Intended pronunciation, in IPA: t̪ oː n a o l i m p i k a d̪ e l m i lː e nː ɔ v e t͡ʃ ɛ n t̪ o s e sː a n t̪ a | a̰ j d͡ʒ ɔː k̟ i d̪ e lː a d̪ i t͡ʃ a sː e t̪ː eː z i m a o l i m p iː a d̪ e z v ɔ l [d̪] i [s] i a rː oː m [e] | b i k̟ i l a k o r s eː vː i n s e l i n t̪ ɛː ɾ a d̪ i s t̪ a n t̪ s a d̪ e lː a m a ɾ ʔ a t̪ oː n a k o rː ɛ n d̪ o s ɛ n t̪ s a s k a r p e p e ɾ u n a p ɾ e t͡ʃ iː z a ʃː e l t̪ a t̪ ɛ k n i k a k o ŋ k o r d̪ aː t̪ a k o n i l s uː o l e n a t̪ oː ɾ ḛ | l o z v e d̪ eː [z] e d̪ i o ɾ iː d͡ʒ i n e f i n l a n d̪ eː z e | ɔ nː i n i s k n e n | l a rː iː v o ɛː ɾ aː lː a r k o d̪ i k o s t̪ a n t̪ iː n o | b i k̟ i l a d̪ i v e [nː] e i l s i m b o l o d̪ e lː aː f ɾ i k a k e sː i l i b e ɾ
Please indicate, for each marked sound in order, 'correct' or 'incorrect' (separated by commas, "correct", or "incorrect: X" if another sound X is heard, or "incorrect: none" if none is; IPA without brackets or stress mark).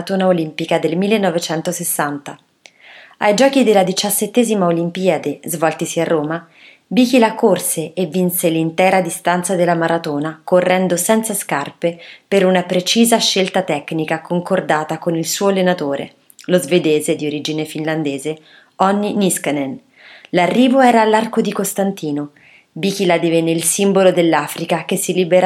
incorrect: t̪, correct, incorrect: a, correct, correct